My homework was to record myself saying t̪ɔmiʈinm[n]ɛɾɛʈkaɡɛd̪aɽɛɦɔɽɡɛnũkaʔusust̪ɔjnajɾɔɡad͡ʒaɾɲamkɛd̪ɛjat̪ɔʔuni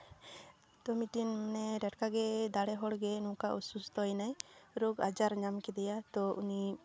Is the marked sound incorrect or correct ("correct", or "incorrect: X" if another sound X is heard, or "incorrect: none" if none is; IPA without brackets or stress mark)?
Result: correct